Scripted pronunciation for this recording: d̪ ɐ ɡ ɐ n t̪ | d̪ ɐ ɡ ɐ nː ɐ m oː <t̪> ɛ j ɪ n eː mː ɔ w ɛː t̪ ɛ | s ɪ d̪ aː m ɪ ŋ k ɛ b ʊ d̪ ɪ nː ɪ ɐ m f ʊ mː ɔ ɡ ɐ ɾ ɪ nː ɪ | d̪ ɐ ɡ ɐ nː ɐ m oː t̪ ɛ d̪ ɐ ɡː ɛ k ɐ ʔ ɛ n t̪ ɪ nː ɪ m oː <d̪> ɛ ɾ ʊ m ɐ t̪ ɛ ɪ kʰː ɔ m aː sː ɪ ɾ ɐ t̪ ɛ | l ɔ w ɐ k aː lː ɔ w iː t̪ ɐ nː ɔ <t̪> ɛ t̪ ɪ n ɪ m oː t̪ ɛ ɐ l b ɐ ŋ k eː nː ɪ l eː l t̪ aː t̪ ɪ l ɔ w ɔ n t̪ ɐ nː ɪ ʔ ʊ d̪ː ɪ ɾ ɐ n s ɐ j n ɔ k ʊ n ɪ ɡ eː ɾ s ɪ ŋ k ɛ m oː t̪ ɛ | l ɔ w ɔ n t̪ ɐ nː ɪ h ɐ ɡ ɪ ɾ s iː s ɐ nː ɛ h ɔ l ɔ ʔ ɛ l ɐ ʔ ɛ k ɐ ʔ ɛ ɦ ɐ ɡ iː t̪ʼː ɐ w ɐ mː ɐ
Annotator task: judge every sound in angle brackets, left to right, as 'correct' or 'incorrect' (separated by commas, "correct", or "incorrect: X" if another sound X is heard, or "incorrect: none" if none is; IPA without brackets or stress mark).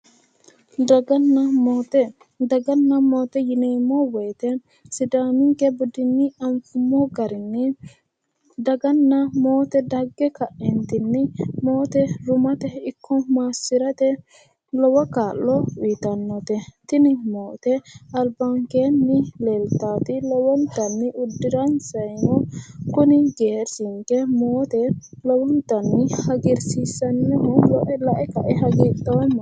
correct, incorrect: t̪, correct